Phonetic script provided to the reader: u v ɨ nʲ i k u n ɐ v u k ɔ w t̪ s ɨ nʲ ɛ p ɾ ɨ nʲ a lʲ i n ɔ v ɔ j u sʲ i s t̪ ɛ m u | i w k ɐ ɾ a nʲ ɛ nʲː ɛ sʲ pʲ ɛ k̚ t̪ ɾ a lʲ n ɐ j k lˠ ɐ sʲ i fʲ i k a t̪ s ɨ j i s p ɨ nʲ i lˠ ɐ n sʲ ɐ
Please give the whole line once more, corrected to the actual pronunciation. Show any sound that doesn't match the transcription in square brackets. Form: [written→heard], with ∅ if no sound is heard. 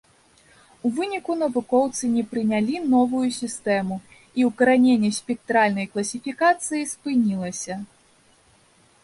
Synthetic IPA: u v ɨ nʲ i k u n ɐ v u k ɔ w t̪ s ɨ nʲ ɛ p ɾ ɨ nʲ a lʲ i n ɔ v [ɔ→u] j u sʲ i s t̪ ɛ m u | i w k ɐ ɾ a nʲ [ɛ→e] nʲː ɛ sʲ pʲ ɛ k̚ t̪ ɾ a lʲ n ɐ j k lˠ ɐ sʲ i fʲ i k a t̪ s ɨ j i s p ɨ nʲ i lˠ ɐ [n→∅] sʲ ɐ